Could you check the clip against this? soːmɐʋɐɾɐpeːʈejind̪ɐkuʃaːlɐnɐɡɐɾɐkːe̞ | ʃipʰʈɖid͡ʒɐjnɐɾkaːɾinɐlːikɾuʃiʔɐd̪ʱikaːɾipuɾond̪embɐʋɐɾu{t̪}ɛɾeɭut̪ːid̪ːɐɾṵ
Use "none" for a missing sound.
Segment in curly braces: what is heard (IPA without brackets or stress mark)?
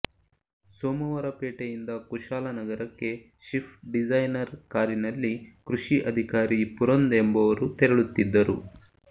t̪